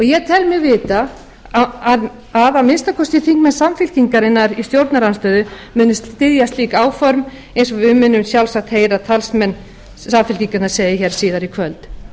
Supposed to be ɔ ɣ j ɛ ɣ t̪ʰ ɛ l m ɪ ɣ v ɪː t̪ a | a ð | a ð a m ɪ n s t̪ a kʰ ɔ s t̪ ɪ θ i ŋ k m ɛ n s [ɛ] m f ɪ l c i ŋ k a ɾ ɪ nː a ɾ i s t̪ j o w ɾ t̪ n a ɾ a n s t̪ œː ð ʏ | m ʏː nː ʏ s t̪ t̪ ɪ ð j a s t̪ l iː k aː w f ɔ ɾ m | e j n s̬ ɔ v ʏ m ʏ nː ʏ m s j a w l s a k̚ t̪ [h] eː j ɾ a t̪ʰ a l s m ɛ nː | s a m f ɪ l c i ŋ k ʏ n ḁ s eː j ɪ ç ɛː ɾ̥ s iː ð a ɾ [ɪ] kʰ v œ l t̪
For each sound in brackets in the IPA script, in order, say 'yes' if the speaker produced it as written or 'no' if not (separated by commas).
no, yes, no